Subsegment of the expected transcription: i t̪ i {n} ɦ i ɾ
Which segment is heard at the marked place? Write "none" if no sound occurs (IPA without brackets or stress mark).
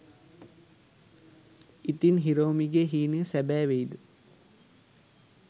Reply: n